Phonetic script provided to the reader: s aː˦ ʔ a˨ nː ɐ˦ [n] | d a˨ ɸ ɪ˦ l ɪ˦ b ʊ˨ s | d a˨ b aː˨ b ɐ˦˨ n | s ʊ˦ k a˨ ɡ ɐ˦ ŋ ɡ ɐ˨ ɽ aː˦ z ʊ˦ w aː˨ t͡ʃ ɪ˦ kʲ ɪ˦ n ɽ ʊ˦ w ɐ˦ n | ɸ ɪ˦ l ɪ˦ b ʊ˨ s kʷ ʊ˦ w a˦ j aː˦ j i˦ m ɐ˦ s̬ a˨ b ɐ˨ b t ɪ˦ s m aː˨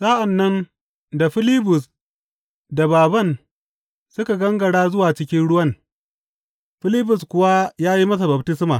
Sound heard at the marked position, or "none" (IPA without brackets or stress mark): n